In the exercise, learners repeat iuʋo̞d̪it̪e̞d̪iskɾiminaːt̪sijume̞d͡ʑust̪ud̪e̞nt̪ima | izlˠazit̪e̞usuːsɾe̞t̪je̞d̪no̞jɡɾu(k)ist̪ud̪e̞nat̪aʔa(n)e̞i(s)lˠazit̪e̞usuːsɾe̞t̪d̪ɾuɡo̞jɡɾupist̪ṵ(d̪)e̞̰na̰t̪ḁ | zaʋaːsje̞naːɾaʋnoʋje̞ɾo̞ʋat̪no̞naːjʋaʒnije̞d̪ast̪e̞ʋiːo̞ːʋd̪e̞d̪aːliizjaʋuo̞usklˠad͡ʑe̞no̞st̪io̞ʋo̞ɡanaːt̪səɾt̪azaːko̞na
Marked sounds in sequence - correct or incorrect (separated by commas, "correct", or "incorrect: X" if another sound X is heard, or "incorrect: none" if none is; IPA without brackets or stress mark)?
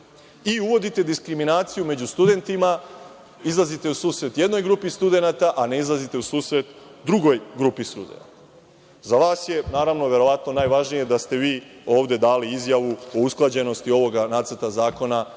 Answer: incorrect: p, correct, incorrect: z, correct